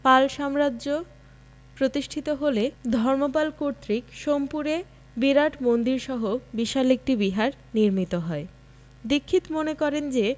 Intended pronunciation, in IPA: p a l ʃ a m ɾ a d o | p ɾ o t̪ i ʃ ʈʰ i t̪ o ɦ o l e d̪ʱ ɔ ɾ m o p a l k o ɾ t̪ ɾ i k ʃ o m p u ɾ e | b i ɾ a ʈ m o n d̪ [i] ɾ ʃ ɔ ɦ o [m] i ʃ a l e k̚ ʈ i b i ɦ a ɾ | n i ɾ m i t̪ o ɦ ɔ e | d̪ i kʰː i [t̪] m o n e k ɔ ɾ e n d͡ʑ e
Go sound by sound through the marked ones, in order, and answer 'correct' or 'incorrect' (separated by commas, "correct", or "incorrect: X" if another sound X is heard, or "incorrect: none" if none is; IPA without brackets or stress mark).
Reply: correct, incorrect: b, correct